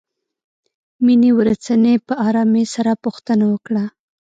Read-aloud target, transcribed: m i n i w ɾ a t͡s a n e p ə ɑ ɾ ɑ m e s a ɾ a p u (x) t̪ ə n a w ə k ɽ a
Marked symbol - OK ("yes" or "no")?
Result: yes